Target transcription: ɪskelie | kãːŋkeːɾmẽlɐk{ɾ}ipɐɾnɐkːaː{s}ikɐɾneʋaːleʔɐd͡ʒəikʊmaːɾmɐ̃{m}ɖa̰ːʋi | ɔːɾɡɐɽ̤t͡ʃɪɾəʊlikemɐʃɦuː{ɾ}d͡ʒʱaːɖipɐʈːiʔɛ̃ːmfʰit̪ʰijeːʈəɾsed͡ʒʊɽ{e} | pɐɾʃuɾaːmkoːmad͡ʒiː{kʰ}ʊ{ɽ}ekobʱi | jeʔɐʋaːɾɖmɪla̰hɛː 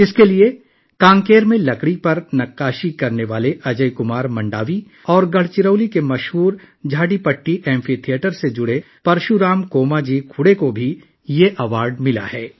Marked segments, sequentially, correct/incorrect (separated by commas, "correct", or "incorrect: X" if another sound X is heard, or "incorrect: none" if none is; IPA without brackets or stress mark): incorrect: ɽ, incorrect: ʃ, incorrect: ɳ, correct, correct, correct, correct